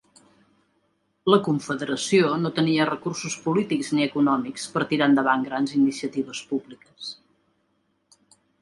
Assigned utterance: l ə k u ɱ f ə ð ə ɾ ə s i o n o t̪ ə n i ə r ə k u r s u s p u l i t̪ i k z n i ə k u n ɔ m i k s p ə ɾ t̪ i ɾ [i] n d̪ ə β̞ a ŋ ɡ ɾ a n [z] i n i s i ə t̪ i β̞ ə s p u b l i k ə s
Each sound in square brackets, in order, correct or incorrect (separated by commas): incorrect, correct